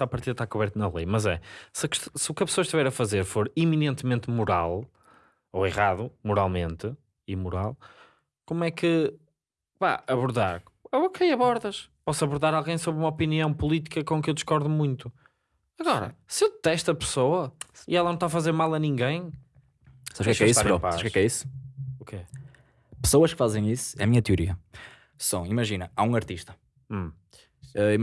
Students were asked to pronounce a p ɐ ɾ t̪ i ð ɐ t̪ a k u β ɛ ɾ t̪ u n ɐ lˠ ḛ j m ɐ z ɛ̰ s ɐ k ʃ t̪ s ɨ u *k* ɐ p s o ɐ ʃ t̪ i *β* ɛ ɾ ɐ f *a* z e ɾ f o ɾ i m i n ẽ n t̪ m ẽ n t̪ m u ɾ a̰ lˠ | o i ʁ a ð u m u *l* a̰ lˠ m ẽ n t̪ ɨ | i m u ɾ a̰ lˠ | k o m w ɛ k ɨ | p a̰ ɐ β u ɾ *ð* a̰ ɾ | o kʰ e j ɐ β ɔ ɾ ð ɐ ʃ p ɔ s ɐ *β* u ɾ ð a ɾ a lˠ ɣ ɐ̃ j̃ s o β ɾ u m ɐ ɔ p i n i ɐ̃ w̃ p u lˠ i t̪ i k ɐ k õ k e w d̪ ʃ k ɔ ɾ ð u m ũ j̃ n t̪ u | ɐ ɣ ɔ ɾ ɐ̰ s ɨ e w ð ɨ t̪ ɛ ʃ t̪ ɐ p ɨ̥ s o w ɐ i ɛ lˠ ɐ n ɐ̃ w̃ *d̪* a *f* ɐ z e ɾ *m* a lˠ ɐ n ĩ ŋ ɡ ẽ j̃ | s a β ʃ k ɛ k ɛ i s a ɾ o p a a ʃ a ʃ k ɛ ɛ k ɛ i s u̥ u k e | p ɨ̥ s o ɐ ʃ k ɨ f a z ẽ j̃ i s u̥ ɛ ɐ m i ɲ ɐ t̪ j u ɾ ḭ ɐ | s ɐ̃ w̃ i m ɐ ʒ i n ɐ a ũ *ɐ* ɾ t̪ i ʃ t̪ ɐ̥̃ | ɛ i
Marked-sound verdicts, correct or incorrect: correct, incorrect: v, incorrect: ɐ, incorrect: ɾ, correct, correct, incorrect: t̪, correct, correct, correct

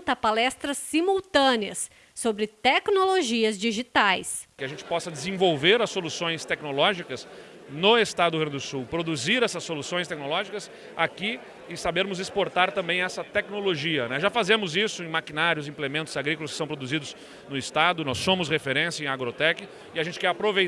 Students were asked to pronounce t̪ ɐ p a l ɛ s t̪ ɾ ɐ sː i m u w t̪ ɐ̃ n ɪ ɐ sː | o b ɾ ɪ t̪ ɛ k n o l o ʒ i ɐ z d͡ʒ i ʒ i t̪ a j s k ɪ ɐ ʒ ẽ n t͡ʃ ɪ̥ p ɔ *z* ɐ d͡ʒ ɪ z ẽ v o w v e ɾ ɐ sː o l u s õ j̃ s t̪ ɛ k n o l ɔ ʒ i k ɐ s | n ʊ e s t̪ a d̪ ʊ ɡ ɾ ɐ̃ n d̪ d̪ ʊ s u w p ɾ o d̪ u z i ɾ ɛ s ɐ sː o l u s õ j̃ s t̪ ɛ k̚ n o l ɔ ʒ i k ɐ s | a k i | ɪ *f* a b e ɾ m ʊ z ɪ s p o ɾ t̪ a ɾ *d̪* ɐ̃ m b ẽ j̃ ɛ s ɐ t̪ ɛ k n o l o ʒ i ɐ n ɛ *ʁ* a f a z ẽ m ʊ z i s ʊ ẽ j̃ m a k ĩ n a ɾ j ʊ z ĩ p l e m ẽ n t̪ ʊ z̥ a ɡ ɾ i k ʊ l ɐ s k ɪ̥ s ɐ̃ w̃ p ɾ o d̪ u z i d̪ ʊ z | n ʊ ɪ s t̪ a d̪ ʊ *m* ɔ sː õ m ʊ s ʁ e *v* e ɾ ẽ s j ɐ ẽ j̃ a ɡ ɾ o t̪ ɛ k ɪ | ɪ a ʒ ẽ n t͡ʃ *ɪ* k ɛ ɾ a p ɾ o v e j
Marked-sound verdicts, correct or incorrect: incorrect: s, incorrect: s, incorrect: t̪, incorrect: ʒ, incorrect: n, incorrect: f, correct

